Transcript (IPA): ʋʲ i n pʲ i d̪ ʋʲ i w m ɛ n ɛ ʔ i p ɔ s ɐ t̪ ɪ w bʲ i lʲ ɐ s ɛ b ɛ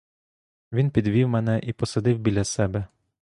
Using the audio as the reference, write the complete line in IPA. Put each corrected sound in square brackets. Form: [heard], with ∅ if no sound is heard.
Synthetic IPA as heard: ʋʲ i n pʲ i d̪ ʋʲ i w m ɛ n ɛ ʔ i p ɔ s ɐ [d̪] ɪ w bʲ i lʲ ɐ s ɛ b ɛ